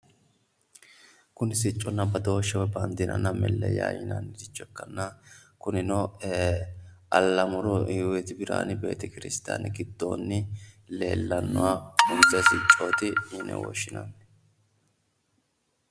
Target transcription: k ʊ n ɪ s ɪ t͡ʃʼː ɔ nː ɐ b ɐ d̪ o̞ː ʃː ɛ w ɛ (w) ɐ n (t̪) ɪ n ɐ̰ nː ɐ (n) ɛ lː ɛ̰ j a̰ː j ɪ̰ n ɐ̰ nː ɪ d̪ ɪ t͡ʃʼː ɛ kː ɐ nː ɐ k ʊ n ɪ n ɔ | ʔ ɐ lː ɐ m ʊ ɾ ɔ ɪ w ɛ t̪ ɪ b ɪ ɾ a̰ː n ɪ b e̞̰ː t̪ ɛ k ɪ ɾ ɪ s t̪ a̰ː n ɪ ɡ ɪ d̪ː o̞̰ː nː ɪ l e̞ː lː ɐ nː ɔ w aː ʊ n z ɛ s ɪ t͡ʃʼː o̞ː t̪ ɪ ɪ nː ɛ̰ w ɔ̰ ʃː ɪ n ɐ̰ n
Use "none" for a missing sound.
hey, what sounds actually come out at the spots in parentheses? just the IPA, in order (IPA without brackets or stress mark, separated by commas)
b, d̪, m